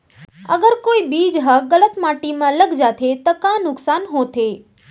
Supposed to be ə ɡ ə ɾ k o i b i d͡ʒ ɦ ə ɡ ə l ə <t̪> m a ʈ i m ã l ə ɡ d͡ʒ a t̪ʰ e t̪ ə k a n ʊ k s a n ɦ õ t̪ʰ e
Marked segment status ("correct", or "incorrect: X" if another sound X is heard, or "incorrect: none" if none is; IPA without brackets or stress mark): correct